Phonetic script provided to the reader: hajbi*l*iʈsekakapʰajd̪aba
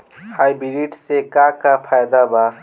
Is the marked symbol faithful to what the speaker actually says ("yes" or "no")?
no